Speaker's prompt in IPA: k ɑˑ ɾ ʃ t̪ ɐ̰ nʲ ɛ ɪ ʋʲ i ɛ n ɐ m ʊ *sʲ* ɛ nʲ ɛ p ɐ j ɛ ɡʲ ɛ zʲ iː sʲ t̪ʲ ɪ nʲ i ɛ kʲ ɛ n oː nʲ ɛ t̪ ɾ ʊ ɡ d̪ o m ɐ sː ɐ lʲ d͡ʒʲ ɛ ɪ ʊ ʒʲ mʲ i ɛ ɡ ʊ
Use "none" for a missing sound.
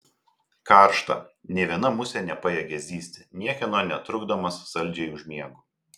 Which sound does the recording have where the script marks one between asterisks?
sʲ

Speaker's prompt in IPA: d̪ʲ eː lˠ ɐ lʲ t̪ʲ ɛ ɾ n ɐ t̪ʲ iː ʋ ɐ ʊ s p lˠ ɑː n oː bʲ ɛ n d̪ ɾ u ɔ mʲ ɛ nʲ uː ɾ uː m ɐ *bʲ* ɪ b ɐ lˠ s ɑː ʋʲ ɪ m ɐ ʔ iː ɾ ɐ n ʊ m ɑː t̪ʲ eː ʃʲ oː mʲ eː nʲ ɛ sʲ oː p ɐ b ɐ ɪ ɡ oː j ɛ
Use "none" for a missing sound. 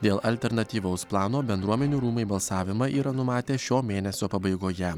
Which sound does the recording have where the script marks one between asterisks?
none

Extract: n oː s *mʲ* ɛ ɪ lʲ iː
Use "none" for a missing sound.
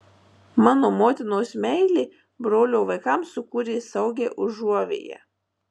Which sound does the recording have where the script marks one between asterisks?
mʲ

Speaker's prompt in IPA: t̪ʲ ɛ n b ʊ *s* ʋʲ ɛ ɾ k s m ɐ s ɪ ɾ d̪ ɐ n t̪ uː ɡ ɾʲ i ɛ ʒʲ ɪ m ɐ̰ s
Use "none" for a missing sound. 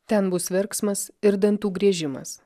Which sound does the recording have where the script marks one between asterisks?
s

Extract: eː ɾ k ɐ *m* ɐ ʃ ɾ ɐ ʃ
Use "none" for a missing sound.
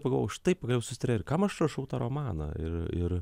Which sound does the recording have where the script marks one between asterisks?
m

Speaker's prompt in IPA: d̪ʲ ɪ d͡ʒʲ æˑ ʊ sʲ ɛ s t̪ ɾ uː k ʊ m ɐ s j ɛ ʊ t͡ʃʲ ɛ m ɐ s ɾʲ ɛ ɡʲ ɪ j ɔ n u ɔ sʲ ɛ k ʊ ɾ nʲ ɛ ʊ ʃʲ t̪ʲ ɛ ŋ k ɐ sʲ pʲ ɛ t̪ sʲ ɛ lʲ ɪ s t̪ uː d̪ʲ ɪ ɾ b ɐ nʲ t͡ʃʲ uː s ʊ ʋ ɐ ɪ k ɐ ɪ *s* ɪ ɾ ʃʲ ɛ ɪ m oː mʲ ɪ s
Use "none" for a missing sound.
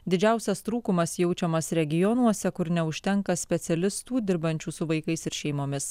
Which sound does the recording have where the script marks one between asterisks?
s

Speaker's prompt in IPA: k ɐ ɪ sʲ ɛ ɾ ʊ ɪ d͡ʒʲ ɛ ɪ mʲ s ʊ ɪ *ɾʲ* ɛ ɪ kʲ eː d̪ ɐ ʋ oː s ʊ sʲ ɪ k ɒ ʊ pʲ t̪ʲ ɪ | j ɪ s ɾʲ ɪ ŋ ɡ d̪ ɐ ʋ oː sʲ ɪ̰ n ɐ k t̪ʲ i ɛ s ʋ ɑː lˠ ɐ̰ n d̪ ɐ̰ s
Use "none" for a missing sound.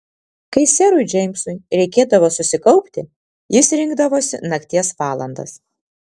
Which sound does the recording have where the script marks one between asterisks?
ɾʲ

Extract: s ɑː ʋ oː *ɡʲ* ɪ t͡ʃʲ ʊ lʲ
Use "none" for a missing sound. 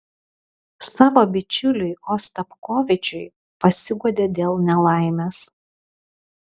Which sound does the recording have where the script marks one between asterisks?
bʲ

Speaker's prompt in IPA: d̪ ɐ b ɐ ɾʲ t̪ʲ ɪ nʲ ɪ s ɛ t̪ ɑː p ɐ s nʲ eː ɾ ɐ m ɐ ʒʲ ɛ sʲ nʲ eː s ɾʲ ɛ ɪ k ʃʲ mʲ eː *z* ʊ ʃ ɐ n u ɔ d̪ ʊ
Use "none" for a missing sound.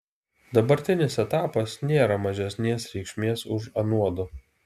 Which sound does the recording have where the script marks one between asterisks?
s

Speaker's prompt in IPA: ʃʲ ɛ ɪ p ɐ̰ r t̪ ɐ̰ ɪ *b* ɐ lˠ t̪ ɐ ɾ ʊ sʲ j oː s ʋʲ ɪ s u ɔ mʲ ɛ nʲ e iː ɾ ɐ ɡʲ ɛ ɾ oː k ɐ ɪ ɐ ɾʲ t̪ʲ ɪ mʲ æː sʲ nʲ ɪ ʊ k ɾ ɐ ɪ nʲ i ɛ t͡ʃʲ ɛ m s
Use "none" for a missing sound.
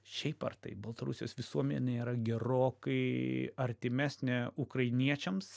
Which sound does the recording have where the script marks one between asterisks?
b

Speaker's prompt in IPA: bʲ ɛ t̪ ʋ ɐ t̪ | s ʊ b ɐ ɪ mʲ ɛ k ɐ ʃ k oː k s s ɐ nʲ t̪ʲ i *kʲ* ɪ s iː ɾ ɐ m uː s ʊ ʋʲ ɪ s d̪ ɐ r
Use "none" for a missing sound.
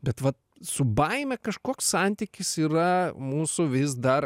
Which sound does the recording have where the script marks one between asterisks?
kʲ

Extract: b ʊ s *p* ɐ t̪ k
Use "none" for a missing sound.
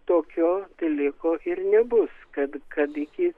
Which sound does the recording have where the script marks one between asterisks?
k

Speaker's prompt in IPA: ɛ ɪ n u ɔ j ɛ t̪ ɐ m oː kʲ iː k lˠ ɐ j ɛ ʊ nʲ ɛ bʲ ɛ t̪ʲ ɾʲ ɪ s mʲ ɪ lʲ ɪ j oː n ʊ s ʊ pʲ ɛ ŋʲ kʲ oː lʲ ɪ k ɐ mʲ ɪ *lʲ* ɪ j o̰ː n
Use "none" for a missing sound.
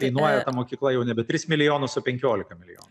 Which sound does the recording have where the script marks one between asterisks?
lʲ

